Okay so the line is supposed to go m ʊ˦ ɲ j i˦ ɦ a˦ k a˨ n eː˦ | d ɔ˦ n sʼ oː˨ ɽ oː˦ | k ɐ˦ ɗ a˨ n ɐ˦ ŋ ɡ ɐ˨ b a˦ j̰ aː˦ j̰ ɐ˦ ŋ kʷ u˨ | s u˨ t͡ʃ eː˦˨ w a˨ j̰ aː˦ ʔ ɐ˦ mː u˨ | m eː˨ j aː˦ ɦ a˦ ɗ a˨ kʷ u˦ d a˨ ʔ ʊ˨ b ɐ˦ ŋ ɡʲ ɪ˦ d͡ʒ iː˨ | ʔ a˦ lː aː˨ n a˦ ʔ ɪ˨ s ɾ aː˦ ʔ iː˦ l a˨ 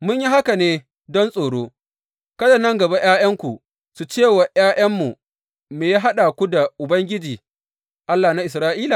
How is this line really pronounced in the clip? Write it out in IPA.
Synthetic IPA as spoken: m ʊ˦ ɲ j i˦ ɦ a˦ k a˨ n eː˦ | d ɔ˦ n sʼ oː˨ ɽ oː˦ | k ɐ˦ d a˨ n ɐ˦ ŋ ɡ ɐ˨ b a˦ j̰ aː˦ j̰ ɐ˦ ŋ kʷ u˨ | s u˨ t͡ʃ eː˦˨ w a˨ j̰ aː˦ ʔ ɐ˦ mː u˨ | m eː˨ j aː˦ ɦ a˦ ɗ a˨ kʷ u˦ d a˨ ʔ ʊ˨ b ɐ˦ ŋ ɡʲ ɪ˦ d͡ʒ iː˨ | ʔ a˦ lː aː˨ n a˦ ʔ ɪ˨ s ɾ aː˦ ʔ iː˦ l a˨